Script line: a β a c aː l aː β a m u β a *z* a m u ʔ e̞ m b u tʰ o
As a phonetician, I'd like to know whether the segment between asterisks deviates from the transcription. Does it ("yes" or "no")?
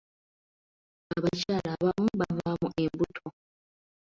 yes